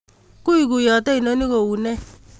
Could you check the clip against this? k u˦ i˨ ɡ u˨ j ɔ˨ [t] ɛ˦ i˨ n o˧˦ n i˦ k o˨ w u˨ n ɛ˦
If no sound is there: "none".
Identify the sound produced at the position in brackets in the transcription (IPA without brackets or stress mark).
t